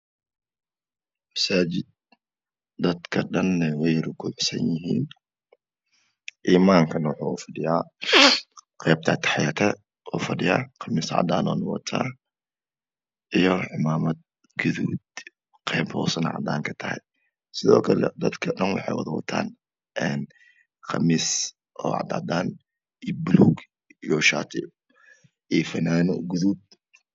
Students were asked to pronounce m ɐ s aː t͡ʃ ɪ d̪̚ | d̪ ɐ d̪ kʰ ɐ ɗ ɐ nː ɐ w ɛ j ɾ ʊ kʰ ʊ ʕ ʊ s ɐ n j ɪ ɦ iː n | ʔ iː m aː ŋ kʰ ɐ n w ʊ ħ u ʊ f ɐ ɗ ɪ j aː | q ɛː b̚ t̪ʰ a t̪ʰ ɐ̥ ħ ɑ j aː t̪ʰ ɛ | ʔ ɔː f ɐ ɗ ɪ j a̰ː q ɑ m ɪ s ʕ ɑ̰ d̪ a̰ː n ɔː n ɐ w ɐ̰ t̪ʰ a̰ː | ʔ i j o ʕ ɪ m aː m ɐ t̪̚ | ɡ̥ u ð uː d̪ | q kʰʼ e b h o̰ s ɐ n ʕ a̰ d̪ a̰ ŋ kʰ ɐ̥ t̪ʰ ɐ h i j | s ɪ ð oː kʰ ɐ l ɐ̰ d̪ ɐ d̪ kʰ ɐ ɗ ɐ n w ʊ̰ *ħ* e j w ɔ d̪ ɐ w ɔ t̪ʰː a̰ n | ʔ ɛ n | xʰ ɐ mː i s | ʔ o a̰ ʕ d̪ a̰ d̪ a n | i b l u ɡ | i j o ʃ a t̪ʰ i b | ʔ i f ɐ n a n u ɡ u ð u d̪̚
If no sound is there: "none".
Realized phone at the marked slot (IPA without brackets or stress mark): ħ